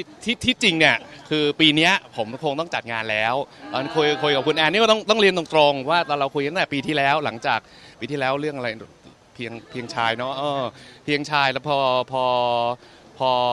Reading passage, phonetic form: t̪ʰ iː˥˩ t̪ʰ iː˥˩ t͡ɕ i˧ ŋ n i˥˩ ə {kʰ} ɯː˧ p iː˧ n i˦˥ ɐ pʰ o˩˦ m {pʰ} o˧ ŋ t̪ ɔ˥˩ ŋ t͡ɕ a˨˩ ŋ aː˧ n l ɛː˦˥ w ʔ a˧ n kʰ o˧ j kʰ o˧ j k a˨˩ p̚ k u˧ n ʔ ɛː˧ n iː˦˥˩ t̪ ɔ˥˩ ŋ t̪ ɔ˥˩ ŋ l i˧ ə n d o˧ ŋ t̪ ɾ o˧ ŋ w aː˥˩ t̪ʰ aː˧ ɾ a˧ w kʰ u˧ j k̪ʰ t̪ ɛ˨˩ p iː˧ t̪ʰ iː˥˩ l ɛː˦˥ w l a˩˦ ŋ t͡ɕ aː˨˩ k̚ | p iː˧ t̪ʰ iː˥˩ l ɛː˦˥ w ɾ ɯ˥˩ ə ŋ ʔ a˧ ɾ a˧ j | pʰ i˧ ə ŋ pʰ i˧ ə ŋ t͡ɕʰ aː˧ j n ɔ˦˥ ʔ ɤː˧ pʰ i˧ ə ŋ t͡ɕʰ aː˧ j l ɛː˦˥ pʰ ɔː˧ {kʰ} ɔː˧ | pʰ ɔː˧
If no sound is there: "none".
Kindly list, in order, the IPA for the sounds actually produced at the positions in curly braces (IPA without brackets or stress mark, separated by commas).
kʰ, kʰ, pʰ